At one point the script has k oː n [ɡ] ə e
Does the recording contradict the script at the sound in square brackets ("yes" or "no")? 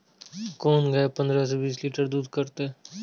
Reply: no